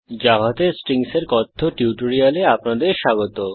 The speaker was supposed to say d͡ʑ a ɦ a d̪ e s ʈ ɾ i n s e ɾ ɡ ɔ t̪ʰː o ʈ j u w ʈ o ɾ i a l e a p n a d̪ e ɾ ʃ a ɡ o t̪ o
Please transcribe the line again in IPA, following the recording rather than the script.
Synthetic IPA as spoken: d͡ʑ a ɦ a t̪ e s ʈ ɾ i ŋ s e ɾ k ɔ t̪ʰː o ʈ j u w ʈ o ɾ i a l e a p n a d̪ e ɾ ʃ a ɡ o t̪ o